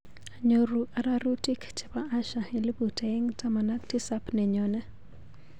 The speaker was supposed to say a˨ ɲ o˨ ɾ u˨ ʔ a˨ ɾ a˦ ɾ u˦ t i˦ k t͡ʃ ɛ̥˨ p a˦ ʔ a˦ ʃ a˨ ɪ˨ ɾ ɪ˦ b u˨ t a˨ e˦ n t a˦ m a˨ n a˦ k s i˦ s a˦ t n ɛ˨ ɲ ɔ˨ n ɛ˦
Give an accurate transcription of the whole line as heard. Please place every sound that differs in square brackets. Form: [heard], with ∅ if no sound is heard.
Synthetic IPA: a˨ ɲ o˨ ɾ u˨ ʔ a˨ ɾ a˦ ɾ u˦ t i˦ k t͡ʃ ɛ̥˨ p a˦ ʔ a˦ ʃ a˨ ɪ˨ [l] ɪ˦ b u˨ t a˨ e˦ [ŋ] t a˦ m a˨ n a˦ k [t] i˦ s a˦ [p] n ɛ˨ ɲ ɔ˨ n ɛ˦